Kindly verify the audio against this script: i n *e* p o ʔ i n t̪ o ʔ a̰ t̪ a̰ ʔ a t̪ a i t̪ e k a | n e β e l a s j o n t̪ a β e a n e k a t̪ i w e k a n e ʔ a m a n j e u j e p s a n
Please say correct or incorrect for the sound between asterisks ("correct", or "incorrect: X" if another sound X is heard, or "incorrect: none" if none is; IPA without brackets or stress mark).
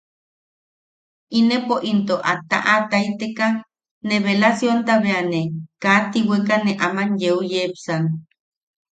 correct